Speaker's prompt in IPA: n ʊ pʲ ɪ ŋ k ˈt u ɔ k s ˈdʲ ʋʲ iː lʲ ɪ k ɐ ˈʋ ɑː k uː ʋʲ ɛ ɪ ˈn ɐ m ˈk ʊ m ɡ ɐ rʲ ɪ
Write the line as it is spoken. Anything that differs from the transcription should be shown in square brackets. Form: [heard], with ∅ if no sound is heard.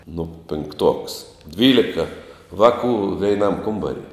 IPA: n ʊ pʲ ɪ ŋ k ˈt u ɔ k s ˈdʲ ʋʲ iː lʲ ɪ k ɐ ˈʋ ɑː k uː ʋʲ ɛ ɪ ˈn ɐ m ˈk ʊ m [b] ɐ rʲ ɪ

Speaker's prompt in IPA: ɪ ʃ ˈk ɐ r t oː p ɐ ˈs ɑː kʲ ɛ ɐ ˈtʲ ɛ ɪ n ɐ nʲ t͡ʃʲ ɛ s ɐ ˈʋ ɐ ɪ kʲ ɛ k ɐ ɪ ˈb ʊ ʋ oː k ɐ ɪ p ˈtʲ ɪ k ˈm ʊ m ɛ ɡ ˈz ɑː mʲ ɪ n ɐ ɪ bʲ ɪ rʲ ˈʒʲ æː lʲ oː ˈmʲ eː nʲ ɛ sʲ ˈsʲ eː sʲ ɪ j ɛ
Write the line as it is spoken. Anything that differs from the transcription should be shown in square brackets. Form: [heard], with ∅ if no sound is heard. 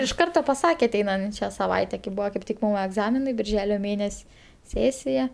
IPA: ɪ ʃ ˈk ɐ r t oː p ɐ ˈs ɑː kʲ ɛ ɐ ˈtʲ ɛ ɪ n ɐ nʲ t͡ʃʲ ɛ s ɐ ˈʋ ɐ ɪ [tʲ] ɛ k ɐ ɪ ˈb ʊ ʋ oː k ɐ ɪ p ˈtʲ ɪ k ˈm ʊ m ɛ ɡ ˈz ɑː mʲ ɪ n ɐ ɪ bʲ ɪ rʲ ˈʒʲ æː lʲ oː ˈmʲ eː nʲ ɛ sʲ ˈsʲ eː sʲ ɪ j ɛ

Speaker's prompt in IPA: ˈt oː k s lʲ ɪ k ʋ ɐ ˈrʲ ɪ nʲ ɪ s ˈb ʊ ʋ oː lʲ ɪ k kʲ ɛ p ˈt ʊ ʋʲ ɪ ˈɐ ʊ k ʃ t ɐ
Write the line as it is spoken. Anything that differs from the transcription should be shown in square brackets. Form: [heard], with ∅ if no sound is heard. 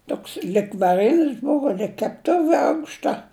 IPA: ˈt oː k s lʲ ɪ k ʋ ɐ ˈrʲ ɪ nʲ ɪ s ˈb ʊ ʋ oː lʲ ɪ k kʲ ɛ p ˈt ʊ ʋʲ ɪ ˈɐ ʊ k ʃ t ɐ

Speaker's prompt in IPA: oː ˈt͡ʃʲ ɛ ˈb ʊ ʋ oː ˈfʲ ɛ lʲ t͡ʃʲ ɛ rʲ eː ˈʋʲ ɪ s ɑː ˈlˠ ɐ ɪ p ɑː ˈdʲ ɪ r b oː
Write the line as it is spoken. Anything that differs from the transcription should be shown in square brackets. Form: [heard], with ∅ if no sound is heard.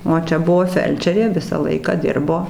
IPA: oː ˈt͡ʃʲ ɛ ˈb ʊ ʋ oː ˈfʲ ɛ lʲ t͡ʃʲ ɛ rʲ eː ˈʋʲ ɪ s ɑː ˈlˠ ɐ ɪ [k] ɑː ˈdʲ ɪ r b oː

